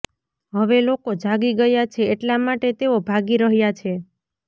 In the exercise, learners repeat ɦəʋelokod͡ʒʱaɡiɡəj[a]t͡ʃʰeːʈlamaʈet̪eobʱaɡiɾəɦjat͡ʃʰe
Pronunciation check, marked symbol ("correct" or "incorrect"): correct